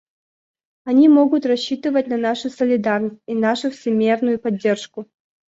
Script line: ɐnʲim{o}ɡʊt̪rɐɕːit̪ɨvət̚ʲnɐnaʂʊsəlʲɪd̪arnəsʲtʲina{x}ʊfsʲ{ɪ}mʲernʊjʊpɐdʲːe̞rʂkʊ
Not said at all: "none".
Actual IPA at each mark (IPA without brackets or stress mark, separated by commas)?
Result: o, ʂ, ɪ